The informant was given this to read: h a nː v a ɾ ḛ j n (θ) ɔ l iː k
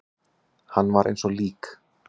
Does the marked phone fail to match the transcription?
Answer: yes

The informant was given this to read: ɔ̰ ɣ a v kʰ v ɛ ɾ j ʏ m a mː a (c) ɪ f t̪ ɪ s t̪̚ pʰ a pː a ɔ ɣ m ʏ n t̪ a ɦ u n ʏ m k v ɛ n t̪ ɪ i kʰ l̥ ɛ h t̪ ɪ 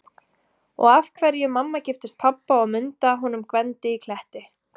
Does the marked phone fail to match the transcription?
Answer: no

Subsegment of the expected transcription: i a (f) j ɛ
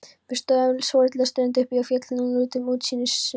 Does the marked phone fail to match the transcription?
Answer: no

